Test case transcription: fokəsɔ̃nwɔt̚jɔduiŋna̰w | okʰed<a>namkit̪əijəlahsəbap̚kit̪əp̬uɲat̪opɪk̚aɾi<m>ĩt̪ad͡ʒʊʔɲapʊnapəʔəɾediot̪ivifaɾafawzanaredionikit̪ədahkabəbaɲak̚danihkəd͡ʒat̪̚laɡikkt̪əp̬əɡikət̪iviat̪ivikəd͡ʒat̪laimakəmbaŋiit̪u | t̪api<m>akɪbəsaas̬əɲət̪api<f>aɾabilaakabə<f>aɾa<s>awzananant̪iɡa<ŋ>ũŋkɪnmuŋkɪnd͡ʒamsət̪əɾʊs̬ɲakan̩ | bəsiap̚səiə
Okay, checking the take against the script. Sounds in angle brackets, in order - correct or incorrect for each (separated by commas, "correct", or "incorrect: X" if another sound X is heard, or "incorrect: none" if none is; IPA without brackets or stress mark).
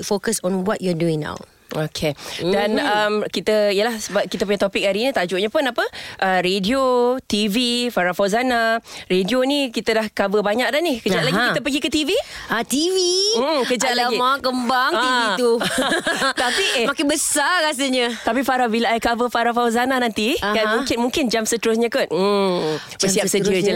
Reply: correct, incorrect: n, correct, correct, correct, incorrect: f, incorrect: m